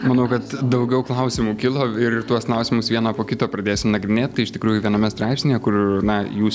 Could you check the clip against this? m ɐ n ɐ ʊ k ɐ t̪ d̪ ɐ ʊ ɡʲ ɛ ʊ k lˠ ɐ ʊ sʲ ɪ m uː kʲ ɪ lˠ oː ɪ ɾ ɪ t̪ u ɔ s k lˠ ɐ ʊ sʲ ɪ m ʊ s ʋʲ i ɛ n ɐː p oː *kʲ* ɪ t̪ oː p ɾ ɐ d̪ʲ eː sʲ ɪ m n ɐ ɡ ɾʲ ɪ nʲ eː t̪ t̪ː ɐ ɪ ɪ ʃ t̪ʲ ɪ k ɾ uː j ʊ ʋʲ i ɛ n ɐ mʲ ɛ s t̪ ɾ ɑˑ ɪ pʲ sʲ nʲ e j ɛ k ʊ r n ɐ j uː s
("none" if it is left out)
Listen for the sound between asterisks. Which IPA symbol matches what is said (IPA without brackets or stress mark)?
kʲ